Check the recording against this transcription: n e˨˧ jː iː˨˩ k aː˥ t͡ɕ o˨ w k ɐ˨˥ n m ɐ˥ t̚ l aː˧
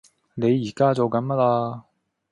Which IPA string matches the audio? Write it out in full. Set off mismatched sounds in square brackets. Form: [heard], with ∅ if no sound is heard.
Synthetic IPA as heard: n e˨˧ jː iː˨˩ k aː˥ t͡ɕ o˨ w k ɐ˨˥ n m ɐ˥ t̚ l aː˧